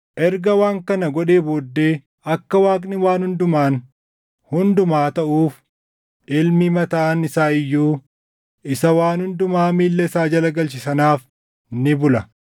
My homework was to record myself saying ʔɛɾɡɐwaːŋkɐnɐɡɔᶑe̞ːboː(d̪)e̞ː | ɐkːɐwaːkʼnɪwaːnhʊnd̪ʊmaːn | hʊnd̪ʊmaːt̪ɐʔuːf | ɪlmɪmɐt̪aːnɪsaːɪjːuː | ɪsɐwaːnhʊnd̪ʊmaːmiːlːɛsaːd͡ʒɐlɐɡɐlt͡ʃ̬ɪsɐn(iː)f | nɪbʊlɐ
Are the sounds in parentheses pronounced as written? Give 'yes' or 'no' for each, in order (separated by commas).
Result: no, no